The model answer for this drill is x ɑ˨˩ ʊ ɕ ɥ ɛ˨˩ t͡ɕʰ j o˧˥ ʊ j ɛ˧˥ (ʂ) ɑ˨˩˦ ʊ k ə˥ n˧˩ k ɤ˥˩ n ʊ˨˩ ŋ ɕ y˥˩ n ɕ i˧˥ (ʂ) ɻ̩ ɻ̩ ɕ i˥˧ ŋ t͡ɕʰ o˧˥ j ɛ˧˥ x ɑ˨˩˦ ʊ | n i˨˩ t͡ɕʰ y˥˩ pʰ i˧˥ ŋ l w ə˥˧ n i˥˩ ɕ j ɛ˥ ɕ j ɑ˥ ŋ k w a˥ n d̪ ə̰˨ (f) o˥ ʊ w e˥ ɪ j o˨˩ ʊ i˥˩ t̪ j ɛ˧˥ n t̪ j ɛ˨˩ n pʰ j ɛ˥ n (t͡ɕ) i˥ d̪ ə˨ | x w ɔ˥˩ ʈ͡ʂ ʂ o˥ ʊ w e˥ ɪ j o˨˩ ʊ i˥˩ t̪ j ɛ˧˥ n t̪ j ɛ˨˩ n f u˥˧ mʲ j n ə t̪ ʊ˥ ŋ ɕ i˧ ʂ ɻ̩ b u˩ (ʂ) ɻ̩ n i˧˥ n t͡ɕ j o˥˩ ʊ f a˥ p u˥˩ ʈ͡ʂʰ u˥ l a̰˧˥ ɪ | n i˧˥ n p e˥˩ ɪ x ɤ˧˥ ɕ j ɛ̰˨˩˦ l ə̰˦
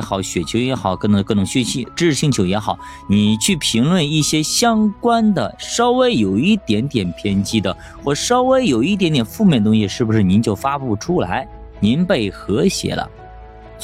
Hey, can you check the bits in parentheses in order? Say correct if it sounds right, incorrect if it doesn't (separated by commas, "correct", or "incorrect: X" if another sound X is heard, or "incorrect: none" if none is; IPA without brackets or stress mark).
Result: incorrect: x, incorrect: ʈ͡ʂ, incorrect: ʂ, correct, correct